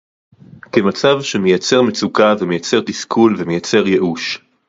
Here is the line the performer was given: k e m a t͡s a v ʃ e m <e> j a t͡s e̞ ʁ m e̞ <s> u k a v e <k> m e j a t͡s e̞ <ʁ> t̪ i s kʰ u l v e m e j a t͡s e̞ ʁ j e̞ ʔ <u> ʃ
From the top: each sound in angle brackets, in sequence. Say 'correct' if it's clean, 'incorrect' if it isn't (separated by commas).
correct, incorrect, incorrect, correct, correct